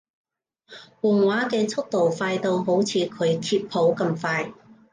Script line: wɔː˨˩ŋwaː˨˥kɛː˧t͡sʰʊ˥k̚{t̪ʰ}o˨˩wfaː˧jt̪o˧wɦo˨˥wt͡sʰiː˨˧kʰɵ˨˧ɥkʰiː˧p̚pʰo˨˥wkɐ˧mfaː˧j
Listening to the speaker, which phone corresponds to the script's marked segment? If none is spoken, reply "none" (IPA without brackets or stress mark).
t̪